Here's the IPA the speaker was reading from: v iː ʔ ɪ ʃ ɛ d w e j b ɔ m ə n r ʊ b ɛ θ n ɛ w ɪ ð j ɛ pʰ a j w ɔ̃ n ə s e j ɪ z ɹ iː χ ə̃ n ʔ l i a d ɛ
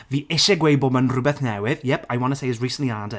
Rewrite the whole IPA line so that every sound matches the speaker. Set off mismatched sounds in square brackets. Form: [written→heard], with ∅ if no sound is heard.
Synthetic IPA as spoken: v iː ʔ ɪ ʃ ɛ [d→ɡ] w e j b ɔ m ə n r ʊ b ɛ θ n ɛ w ɪ ð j ɛ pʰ a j w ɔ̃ n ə s e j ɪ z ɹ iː [χ→s] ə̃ n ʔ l i a d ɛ